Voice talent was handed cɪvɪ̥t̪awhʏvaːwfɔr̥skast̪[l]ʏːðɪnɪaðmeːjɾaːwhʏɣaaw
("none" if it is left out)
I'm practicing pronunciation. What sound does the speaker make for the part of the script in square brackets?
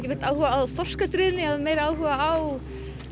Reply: ɾ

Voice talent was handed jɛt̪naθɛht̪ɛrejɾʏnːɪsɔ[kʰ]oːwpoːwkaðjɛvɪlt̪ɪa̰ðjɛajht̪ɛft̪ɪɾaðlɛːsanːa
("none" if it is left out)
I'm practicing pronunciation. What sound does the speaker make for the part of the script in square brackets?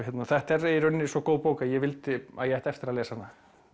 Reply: k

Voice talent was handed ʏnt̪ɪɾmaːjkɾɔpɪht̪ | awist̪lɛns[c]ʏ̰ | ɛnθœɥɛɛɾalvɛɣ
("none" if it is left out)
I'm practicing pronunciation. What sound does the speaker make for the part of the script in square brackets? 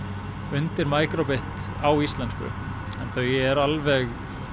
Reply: k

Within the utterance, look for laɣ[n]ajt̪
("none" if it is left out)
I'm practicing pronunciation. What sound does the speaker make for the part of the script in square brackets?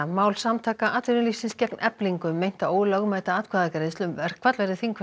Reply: m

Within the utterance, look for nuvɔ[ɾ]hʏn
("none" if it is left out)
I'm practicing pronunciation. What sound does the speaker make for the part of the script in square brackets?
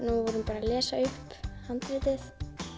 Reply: ɾ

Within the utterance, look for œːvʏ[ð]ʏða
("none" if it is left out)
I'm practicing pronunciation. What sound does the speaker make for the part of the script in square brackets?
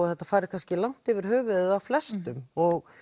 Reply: ð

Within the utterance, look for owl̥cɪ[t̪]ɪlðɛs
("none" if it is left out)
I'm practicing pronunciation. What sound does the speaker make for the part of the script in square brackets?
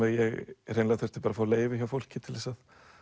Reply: t̪ʰ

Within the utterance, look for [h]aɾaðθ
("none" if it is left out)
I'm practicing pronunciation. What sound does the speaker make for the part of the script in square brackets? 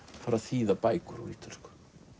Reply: f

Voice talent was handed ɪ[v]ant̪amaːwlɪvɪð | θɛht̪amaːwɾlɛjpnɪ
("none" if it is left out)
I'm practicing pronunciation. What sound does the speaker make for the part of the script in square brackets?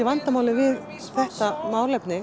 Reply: v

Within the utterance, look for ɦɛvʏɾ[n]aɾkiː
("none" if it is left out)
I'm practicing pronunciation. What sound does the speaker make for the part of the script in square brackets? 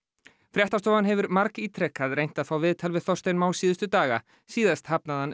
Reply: m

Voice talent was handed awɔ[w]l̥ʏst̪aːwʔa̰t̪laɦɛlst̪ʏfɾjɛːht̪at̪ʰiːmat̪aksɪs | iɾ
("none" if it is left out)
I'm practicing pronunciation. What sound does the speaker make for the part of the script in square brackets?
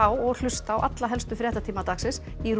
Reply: ɣ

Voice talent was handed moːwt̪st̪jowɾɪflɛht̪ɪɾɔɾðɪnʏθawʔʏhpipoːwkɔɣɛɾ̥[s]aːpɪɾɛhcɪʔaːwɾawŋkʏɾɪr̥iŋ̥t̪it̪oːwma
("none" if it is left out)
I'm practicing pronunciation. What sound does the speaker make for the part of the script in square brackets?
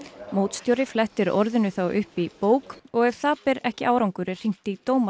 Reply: θ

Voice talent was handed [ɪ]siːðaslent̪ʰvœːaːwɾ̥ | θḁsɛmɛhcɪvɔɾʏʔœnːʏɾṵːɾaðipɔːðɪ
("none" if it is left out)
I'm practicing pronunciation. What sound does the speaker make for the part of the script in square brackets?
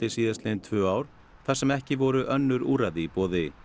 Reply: ɪ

